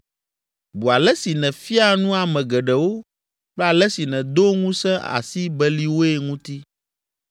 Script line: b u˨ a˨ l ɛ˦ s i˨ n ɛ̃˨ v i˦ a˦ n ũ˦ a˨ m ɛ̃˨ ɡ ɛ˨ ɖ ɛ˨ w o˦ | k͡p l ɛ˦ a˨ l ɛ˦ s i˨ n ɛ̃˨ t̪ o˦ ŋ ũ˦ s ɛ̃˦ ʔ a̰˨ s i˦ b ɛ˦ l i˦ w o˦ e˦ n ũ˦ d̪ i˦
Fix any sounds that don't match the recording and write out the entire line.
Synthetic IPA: b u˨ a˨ l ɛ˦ s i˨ n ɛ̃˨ f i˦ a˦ n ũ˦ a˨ m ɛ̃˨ ɡ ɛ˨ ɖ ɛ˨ w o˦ | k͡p l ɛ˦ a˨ l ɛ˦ s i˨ n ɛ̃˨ d̪ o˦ ŋ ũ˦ s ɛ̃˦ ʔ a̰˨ s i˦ b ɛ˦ l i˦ w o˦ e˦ ŋ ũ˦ t̪ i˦